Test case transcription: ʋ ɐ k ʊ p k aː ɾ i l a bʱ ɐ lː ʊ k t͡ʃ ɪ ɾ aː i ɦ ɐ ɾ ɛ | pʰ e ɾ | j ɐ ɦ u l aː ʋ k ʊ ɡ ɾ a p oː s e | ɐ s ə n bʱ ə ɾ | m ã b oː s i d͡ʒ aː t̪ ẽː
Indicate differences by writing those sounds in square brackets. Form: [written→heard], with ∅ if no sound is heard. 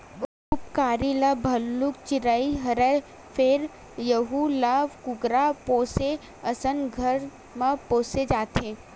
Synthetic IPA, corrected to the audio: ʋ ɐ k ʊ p k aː ɾ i l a bʱ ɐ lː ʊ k t͡ʃ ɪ ɾ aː i ɦ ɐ ɾ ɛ | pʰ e ɾ | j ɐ ɦ u l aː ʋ k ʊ ɡ ɾ a p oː s e | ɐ s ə n [bʱ→ɡʱ] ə ɾ | m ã [b→p] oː s [i→e] d͡ʒ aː t̪ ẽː